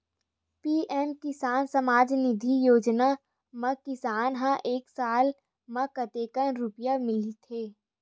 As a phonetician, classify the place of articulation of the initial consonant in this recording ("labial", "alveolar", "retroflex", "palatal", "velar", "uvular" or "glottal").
labial